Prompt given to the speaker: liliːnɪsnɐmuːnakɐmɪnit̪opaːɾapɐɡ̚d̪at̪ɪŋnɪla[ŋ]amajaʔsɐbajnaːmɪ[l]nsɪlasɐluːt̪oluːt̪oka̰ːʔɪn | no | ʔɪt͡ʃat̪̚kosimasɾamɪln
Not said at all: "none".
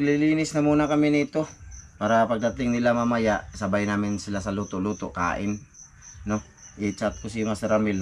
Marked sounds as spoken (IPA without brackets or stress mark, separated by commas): m, none